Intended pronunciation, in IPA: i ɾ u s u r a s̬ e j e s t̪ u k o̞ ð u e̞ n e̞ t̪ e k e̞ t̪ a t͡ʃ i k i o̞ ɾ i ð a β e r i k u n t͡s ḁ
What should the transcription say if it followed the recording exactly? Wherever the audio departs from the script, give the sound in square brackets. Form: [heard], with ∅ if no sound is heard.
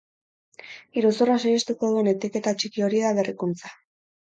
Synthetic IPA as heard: i ɾ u s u r a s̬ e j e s t̪ u k o̞ ð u e̞ n e̞ t̪ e k e̞ t̪ a t͡ʃ i k i o̞ ɾ i ð a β e r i k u n t͡s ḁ